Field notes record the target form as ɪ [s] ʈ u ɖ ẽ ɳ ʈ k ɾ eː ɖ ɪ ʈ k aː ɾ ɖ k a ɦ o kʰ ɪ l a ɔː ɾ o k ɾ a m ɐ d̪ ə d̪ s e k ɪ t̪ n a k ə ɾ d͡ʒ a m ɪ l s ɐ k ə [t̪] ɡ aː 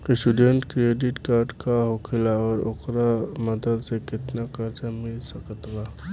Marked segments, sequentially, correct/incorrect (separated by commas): correct, correct